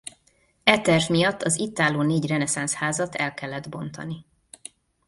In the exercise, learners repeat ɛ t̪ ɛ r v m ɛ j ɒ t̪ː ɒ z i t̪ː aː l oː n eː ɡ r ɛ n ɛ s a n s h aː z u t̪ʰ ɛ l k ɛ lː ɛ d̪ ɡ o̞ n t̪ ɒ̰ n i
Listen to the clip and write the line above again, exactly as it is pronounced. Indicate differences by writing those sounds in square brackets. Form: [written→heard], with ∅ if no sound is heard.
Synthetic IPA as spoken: ɛ t̪ ɛ r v m [ɛ→i] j ɒ t̪ː ɒ z i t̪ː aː l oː n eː [ɡ→ɟ] r ɛ n ɛ s a n s h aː z [u→ɒ] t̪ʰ ɛ l k ɛ lː ɛ d̪ [ɡ→b] o̞ n t̪ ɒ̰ n i